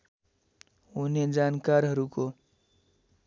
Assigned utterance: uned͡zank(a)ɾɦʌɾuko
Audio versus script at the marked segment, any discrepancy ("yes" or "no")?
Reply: no